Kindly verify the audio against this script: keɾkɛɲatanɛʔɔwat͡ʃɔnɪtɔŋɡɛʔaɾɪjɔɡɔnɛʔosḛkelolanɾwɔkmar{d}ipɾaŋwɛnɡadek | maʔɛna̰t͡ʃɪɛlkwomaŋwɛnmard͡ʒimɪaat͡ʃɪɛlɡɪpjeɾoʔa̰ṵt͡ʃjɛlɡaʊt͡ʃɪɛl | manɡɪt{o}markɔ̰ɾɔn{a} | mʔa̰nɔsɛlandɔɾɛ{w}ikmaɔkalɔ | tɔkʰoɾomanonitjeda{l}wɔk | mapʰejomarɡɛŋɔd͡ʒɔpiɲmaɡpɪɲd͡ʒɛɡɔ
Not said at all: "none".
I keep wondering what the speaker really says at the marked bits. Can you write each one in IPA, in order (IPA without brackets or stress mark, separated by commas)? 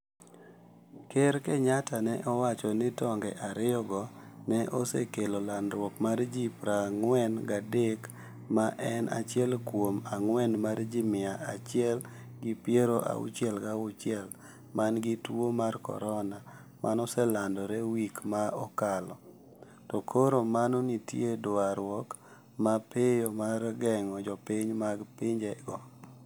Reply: d͡ʒ, o, a, w, ɾ